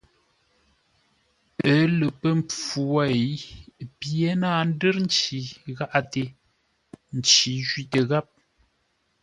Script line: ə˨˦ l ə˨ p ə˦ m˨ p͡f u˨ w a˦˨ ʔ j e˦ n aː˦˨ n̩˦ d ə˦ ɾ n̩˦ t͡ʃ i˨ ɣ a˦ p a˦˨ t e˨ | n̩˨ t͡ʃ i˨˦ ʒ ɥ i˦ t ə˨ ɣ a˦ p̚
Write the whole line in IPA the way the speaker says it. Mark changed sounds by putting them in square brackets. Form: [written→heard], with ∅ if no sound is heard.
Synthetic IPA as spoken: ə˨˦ l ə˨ p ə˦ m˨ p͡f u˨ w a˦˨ [ʔ→p] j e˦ n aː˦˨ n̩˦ d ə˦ ɾ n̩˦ t͡ʃ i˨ ɣ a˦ [p→ʔ] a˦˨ t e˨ | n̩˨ t͡ʃ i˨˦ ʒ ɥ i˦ t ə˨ ɣ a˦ p̚